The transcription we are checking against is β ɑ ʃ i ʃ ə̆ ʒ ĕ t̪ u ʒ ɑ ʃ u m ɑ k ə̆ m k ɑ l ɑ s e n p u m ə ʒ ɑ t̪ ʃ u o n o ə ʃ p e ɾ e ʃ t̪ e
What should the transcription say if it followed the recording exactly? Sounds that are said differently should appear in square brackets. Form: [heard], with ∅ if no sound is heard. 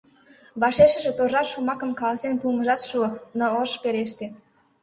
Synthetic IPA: β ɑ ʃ [e] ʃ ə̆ ʒ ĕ t̪ [o] ʒ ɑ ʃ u m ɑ k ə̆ m k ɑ l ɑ s e n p u m ə ʒ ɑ t̪ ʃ u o n o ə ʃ p e ɾ e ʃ t̪ e